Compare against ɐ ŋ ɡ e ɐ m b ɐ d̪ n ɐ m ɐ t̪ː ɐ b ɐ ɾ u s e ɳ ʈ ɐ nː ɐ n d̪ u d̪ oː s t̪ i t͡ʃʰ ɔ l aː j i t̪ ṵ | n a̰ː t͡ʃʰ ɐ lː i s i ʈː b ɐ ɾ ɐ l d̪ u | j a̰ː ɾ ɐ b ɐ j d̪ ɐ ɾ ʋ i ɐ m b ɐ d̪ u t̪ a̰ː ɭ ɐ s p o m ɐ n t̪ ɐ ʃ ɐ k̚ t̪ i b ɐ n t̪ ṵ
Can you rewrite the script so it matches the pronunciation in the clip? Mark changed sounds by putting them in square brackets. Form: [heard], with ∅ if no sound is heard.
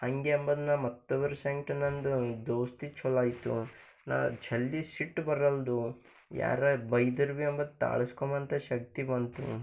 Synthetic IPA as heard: ɐ ŋ ɡ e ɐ m b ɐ d̪ n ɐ m ɐ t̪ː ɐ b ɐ ɾ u s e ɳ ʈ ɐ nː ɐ n d̪ u d̪ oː s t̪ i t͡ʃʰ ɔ l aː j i t̪ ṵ | n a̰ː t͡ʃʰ ɐ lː i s i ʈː b ɐ ɾ ɐ l d̪ u | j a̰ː ɾ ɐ b ɐ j d̪ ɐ ɾ ʋ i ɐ m b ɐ d̪ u t̪ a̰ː ɭ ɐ s [k] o m ɐ n t̪ ɐ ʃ ɐ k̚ t̪ i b ɐ n t̪ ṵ